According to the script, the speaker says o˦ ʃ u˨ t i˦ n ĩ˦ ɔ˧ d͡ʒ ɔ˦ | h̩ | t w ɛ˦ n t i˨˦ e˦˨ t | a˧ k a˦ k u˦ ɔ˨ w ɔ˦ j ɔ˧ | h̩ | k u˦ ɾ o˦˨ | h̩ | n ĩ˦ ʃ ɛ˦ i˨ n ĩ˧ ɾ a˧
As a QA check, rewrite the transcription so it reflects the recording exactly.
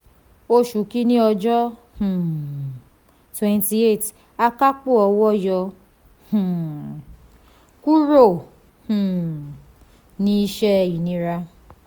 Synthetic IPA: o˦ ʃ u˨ k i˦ n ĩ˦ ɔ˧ d͡ʒ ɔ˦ | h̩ | t w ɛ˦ n t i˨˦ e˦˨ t | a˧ k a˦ k͡p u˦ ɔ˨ w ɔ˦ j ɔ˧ | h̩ | k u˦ ɾ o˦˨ | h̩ | n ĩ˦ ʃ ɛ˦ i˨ n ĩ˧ ɾ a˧

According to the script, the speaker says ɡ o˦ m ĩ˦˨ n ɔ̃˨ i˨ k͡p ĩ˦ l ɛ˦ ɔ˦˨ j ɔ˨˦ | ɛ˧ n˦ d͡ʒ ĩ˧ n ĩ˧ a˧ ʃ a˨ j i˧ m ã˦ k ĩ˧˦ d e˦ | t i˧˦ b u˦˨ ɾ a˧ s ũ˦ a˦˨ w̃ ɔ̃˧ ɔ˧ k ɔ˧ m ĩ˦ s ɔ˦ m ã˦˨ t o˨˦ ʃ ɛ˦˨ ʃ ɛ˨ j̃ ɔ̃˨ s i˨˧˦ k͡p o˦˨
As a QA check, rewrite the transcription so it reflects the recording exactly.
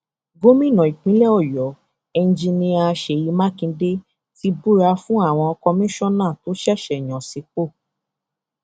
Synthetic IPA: ɡ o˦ m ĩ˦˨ n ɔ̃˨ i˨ k͡p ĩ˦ l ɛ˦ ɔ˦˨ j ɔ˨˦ | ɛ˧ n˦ d͡ʒ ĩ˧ n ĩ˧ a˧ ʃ e˨ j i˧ m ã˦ k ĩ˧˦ d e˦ | t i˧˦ b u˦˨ ɾ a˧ f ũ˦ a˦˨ w̃ ɔ̃˧ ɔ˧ k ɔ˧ m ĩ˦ ʃ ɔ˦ n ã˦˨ t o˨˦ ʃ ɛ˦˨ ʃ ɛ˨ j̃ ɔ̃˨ s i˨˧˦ k͡p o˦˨

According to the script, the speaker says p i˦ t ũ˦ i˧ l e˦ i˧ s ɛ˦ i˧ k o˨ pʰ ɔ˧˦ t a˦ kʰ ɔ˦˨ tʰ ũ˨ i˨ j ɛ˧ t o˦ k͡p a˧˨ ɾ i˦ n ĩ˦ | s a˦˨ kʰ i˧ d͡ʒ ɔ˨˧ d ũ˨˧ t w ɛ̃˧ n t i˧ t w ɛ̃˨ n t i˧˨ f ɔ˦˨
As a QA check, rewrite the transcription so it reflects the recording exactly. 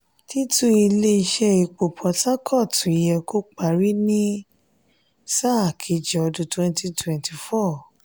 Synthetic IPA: t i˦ t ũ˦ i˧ l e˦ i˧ ʃ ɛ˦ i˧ k͡p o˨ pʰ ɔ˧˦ t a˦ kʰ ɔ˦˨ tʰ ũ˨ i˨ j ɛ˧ k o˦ k͡p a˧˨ ɾ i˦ n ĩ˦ | s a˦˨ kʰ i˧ d͡ʒ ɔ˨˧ d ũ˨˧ t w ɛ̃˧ n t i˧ t w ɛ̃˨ n t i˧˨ f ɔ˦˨

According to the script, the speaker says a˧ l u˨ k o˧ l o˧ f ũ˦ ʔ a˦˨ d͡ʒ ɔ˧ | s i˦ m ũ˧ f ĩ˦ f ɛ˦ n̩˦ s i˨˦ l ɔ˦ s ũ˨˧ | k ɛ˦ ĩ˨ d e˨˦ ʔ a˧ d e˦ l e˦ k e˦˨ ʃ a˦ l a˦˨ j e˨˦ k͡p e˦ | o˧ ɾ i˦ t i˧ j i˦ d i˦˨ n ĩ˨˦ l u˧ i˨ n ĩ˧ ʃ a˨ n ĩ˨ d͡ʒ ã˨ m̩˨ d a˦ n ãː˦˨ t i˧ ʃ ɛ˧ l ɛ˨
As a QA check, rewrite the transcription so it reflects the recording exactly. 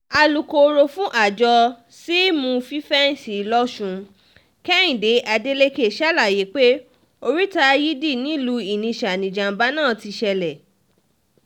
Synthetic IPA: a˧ l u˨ k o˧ ɾ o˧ f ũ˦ ʔ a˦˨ d͡ʒ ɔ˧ | s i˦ m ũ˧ f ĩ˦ f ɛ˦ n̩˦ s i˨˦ l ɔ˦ ʃ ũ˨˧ | k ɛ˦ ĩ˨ d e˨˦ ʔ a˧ d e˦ l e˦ k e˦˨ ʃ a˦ l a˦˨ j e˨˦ k͡p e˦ | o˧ ɾ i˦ t a˧ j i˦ d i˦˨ n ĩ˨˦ l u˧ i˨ n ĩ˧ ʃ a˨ n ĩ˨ d͡ʒ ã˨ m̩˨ b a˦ n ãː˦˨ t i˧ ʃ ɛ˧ l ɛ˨

